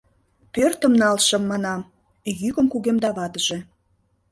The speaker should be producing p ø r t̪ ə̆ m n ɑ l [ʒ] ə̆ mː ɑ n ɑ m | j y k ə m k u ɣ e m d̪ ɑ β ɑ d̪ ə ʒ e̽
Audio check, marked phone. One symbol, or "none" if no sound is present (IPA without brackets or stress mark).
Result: ʃ